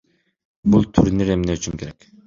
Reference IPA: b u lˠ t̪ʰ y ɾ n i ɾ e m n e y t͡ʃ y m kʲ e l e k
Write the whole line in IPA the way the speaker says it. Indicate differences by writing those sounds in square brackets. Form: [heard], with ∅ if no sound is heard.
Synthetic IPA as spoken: b u lˠ t̪ʰ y ɾ n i ɾ e m n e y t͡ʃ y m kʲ e [ɾ] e k

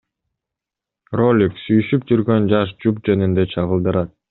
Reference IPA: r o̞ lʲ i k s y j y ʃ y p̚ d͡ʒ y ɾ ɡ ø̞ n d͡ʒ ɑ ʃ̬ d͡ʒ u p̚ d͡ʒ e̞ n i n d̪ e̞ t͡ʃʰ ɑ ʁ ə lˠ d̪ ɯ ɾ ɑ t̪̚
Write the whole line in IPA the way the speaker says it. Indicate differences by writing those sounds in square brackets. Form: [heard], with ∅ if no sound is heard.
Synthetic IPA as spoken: r o̞ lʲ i k s y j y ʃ y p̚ d͡ʒ y ɾ ɡ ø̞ n d͡ʒ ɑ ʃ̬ d͡ʒ u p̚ d͡ʒ e̞ n i n d̪ e̞ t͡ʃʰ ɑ ʁ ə lˠ d̪ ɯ ɾ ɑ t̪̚

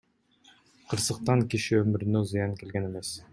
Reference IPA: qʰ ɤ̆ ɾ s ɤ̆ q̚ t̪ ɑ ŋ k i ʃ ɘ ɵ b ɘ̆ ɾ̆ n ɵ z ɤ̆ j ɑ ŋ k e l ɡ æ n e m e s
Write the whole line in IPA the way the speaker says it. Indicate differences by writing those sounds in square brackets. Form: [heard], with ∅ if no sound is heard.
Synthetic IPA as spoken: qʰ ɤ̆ ɾ s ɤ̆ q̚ t̪ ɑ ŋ k i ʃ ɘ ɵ [m] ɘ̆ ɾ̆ n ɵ z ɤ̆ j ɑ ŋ k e l ɡ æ n e m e s

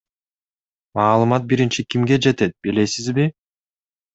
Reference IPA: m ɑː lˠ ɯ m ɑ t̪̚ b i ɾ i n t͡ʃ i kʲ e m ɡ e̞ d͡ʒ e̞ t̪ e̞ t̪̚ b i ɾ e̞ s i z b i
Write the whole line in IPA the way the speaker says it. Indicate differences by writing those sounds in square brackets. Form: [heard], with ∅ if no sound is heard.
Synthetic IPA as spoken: m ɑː lˠ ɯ m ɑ t̪̚ b i ɾ i n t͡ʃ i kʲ [i] m ɡ e̞ d͡ʒ e̞ t̪ e̞ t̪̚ b i [l] e̞ s i z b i

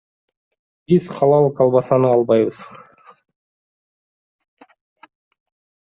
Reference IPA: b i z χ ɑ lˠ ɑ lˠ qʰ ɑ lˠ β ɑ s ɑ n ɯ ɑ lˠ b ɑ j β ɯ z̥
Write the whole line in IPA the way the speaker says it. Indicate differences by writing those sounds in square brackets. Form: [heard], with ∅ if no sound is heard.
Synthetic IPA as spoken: b i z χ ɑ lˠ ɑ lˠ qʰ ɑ lˠ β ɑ s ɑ n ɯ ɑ lˠ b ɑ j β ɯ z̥

